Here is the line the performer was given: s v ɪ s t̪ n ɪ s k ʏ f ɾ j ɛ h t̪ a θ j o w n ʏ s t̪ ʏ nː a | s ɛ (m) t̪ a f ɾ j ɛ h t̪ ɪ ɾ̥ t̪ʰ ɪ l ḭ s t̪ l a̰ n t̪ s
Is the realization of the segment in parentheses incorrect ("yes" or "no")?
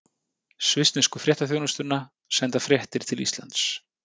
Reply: yes